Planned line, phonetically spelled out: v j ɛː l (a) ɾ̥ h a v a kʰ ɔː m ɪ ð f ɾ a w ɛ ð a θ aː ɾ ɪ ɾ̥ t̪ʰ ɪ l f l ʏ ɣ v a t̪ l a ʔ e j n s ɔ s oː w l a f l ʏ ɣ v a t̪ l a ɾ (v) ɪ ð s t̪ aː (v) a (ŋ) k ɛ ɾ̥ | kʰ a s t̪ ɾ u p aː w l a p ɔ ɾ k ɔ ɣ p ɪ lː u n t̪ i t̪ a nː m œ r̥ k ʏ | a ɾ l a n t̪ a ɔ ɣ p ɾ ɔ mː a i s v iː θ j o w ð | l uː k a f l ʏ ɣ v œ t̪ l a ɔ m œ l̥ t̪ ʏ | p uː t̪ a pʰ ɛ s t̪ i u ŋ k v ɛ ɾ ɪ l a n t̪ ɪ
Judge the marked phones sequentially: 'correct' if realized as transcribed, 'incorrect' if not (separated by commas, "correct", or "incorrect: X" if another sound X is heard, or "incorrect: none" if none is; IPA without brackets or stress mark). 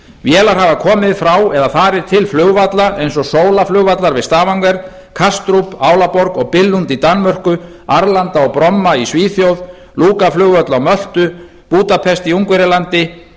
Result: correct, correct, correct, correct